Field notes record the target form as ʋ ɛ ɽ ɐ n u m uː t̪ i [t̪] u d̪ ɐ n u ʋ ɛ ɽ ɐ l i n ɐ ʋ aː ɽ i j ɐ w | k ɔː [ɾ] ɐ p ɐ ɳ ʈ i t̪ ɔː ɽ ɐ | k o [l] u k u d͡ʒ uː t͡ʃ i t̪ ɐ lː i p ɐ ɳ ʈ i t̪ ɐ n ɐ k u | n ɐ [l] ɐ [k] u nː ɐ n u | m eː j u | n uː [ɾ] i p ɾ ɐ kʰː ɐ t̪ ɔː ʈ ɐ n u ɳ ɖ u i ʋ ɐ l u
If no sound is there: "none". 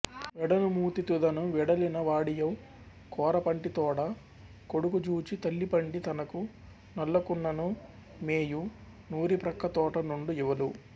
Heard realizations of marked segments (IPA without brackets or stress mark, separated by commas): t̪, ɾ, ɽ, lː, k, ɾ